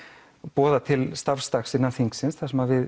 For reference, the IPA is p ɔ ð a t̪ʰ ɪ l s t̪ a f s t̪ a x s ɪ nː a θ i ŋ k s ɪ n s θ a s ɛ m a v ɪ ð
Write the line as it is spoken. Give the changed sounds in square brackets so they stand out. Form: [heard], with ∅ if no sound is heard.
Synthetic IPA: p [ɔː] ð a t̪ʰ ɪ l s t̪ a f s t̪ a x s ɪ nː a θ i ŋ k s ɪ n s θ a s ɛ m a v ɪ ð